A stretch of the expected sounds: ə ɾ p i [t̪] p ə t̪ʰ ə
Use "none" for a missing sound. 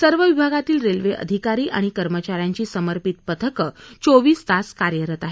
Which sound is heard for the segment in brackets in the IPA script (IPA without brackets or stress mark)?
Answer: t̪